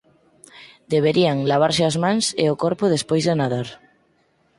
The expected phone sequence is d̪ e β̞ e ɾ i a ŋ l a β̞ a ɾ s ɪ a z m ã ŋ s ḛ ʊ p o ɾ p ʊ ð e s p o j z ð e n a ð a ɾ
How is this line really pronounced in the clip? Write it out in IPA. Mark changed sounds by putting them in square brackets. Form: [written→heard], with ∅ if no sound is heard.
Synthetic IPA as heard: d̪ e β̞ e ɾ i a ŋ l a β̞ a ɾ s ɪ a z m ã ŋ s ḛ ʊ [p→k] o ɾ p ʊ ð e s p o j z ð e n a ð a ɾ